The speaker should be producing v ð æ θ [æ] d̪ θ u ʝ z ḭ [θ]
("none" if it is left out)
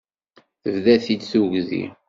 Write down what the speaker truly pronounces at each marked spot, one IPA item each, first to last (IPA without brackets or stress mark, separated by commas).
i, none